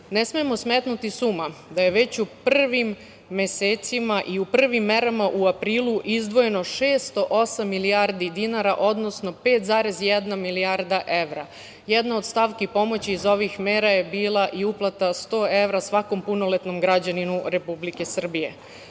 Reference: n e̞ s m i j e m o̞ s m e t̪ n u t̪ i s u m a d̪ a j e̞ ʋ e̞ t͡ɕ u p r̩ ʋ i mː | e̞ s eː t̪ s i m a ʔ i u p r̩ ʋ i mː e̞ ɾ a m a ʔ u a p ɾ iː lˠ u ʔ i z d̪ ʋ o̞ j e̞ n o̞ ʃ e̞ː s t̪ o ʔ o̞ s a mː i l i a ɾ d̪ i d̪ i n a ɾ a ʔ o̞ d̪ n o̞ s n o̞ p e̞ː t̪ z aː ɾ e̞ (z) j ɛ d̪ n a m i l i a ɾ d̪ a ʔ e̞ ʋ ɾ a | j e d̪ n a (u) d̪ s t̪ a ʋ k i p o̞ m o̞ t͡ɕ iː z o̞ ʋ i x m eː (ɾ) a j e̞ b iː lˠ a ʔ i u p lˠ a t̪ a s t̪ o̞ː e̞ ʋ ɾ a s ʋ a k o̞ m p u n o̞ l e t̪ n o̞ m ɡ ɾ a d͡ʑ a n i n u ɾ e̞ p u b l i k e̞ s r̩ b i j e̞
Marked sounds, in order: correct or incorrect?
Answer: correct, incorrect: o, correct

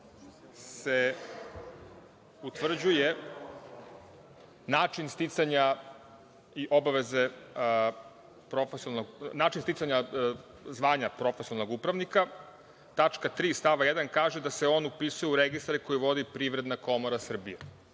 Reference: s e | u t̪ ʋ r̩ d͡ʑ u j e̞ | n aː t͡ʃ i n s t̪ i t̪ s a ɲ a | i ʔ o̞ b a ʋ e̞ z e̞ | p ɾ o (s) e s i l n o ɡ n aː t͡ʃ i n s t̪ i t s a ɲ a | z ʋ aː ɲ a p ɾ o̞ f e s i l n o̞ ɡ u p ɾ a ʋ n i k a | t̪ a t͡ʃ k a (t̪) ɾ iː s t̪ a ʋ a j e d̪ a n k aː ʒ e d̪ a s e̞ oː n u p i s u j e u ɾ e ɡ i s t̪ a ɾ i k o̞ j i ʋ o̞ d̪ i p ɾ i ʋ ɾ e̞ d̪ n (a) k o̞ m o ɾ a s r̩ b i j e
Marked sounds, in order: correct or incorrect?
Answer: incorrect: f, correct, correct

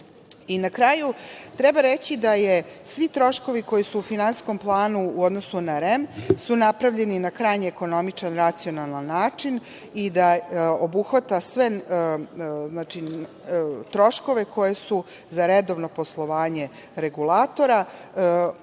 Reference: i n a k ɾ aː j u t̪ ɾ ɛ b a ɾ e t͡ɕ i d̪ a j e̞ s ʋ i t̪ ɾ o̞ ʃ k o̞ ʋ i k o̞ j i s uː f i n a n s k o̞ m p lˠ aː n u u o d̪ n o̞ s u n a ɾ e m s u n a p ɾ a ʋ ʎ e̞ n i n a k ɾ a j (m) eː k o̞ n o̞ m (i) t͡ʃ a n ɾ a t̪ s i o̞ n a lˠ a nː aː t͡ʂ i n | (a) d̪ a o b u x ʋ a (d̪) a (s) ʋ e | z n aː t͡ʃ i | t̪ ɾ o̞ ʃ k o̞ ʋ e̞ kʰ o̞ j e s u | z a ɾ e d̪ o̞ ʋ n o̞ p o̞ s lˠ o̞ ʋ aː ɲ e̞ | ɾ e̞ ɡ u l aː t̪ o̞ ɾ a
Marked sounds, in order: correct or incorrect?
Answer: incorrect: ɲ, correct, incorrect: i, incorrect: t̪, correct

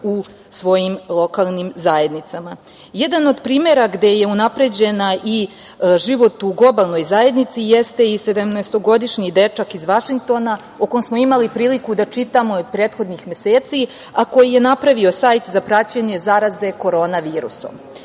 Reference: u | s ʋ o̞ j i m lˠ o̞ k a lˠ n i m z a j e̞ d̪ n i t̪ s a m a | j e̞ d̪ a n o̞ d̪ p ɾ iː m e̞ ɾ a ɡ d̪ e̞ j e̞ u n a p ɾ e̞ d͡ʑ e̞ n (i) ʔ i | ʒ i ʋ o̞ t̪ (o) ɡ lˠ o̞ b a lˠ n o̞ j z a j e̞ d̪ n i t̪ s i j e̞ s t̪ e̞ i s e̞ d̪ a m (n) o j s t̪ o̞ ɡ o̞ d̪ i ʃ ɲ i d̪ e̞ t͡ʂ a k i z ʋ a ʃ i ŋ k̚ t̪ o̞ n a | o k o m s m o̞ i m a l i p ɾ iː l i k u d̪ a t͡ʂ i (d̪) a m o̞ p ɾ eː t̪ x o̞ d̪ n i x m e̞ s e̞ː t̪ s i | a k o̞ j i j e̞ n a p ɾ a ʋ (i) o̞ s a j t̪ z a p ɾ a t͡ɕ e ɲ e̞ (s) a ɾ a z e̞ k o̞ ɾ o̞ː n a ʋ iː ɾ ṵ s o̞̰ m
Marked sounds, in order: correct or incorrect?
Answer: incorrect: a, incorrect: u, correct, incorrect: t̪, correct, incorrect: z

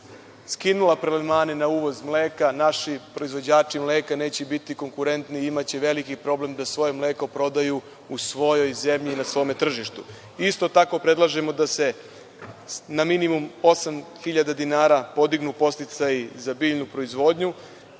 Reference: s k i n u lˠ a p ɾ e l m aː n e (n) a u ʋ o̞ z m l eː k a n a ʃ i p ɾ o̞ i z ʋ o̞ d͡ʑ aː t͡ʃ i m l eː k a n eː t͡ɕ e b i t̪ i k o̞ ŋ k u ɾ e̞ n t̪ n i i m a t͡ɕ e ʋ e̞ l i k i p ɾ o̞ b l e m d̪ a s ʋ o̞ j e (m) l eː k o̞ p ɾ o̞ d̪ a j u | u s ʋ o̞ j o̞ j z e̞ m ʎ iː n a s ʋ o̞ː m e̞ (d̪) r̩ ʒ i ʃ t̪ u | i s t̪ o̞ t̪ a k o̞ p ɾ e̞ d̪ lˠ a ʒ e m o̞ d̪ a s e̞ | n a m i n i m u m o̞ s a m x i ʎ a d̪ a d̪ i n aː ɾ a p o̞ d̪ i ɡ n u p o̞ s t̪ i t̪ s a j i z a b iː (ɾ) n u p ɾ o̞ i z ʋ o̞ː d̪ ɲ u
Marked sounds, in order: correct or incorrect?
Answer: correct, correct, incorrect: t̪, incorrect: ʎ

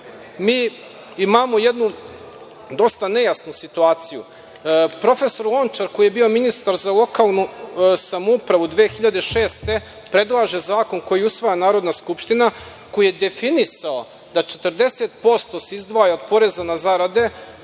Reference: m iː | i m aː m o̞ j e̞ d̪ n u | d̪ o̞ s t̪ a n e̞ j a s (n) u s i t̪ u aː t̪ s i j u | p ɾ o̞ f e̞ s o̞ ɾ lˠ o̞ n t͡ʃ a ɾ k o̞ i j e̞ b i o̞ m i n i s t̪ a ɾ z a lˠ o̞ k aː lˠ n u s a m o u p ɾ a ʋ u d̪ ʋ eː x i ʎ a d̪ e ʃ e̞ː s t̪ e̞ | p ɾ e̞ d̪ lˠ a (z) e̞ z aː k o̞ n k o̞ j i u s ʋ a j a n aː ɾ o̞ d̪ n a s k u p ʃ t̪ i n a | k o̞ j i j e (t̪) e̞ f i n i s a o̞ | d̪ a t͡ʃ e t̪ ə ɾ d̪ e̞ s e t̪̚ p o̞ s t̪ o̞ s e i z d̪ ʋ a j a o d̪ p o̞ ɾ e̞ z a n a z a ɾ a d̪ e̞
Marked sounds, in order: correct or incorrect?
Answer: correct, incorrect: ʒ, incorrect: d̪

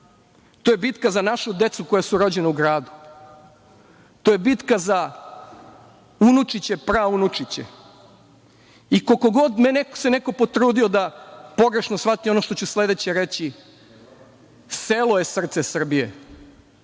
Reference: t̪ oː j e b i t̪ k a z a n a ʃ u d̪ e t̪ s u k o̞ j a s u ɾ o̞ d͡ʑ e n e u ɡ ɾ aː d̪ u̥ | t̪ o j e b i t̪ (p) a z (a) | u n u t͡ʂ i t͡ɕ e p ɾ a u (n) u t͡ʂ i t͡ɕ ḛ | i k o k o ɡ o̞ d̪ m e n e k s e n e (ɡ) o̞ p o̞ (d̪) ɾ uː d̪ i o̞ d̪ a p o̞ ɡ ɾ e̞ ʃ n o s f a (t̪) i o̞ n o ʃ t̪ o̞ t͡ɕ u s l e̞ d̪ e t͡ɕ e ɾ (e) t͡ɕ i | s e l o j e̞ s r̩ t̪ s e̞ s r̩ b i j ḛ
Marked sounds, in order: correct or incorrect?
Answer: incorrect: k, correct, correct, incorrect: k, incorrect: t̪, correct, correct

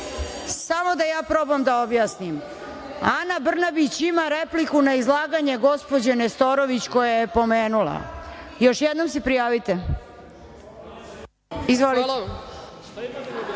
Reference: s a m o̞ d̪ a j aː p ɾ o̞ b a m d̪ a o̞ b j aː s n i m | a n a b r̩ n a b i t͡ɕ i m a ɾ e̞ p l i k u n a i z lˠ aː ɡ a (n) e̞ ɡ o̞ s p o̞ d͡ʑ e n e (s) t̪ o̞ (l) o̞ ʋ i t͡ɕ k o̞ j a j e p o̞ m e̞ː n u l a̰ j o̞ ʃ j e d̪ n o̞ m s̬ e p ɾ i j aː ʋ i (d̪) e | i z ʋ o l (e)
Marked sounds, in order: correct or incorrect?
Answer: incorrect: ɲ, correct, incorrect: ɾ, incorrect: t̪, incorrect: i

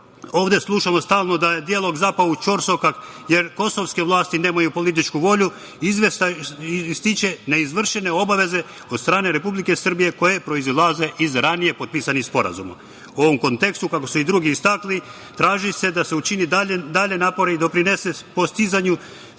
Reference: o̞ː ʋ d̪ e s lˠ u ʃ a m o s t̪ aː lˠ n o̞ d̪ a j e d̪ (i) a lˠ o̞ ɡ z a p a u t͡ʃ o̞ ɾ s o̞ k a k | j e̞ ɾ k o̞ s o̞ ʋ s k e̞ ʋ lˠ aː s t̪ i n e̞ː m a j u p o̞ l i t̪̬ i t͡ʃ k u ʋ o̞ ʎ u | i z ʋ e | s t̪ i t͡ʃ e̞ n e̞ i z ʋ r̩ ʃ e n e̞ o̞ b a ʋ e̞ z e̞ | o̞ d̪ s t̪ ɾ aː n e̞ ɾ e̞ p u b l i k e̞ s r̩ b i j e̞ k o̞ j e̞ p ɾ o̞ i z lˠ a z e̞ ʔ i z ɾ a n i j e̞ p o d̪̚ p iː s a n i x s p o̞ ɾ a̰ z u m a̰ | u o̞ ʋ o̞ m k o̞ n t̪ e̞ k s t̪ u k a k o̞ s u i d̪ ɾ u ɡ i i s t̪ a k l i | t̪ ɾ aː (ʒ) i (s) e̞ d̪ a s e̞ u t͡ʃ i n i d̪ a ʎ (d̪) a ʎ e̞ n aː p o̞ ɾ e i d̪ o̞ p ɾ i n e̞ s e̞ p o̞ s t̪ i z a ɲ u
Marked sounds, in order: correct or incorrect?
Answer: correct, correct, correct, correct

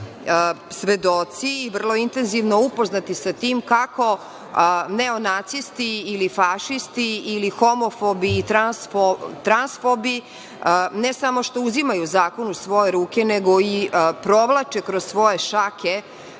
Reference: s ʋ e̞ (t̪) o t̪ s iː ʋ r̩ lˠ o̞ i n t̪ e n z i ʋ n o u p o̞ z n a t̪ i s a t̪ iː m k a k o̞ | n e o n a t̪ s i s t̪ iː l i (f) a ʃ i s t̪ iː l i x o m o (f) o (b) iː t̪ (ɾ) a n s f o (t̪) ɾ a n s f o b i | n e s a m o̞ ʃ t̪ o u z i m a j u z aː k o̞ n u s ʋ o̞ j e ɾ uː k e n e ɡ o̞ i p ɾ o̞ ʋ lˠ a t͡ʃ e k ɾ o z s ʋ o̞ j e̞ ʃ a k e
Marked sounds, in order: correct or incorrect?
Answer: incorrect: d̪, correct, correct, correct, correct, correct

